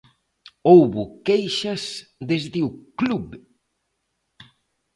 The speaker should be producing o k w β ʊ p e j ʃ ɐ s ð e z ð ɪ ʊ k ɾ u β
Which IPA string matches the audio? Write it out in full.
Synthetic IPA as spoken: o w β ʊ k e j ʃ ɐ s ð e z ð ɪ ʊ k l u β